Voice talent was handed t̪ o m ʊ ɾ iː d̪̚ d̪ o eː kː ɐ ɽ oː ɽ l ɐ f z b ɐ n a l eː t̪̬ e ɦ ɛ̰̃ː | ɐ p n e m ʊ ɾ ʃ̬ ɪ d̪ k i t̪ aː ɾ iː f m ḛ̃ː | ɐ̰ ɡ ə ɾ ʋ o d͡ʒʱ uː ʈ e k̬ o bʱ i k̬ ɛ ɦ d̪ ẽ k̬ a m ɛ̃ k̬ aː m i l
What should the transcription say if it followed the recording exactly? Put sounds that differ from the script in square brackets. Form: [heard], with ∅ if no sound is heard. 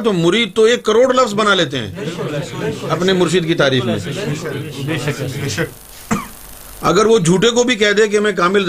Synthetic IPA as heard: t̪ o m ʊ ɾ iː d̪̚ [t̪] o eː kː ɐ [ɾ] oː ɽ l ɐ f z b ɐ n a l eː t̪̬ e ɦ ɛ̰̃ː | ɐ p n e m ʊ ɾ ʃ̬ ɪ d̪ k i t̪ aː ɾ iː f m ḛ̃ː | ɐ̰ ɡ ə ɾ ʋ o d͡ʒʱ uː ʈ e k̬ o bʱ i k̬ ɛ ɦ d̪ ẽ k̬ [e] m ɛ̃ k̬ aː m [ɪ] l